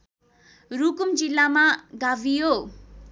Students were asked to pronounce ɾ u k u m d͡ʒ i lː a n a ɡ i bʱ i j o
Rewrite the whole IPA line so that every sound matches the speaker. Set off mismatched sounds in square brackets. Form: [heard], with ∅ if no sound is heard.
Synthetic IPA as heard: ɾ u k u m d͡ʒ i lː a [m] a ɡ [a] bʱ i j o